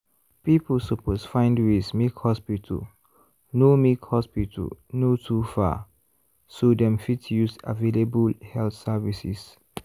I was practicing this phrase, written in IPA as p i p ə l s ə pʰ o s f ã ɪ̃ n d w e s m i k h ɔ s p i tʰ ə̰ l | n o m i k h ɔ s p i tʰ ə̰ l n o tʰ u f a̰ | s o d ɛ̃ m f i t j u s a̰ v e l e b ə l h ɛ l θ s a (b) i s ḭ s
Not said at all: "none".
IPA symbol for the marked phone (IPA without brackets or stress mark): v